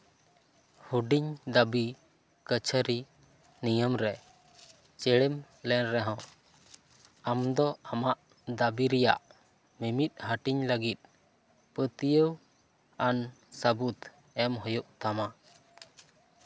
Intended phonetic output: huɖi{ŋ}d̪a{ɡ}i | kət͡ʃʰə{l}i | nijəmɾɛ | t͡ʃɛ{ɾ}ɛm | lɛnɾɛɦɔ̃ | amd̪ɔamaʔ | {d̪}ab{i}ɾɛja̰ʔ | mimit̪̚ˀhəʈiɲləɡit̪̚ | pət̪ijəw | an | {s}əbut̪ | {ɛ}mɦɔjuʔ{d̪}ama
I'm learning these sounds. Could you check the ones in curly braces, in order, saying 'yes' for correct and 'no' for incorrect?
no, no, no, no, yes, yes, yes, yes, no

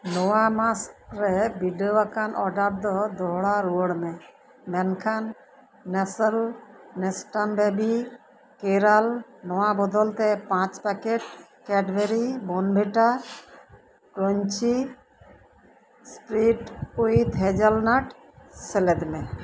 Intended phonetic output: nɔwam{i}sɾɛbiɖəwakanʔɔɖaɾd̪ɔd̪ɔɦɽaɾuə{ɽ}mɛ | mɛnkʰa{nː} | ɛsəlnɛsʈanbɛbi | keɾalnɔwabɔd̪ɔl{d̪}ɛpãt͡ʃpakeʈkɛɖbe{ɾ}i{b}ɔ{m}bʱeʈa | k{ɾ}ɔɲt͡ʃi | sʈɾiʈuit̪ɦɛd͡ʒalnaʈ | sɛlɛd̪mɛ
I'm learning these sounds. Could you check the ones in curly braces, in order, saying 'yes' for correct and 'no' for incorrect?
no, yes, yes, no, yes, yes, no, yes

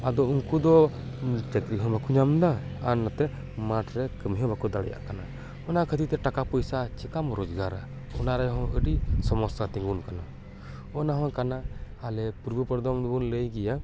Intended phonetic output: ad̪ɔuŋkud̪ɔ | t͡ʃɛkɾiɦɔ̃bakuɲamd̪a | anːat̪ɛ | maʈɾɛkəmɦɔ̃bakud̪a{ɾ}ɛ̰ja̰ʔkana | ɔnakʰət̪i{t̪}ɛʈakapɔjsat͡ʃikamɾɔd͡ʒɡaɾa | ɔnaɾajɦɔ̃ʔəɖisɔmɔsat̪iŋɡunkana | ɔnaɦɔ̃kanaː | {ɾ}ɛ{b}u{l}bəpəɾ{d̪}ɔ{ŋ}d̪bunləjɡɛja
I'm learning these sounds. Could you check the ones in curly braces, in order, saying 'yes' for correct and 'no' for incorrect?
no, yes, no, no, no, yes, no

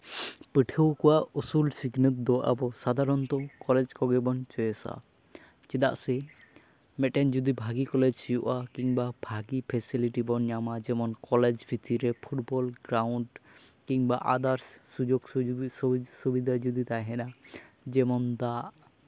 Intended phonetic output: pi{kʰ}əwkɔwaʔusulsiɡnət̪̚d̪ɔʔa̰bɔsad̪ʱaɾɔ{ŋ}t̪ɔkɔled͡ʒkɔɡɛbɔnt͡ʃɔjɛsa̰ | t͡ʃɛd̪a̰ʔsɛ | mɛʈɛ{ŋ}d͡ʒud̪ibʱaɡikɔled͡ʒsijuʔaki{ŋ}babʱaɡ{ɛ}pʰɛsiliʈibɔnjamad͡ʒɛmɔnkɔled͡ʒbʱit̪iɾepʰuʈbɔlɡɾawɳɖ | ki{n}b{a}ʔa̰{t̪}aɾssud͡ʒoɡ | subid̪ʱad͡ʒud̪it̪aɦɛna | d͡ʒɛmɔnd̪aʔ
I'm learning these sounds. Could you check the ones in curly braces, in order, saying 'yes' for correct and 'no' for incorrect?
no, no, no, yes, no, no, yes, no

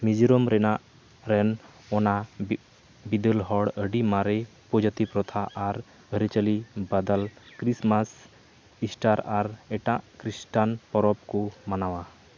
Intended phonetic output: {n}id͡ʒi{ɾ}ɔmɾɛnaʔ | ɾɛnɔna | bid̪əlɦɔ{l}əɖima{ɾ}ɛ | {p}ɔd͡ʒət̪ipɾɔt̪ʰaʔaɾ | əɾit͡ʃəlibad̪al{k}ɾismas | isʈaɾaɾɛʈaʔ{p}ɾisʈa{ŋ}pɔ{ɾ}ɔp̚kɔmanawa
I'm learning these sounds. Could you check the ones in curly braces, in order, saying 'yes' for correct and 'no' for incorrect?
no, yes, no, yes, yes, yes, no, no, yes

